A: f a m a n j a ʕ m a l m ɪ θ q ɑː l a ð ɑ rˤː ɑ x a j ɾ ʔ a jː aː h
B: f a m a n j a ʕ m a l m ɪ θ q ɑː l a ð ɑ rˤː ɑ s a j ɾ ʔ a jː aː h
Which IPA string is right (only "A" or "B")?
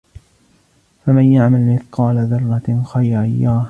A